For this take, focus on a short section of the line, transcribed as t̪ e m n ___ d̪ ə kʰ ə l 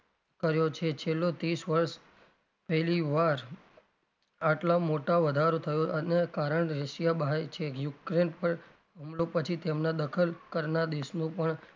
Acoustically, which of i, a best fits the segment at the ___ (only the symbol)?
a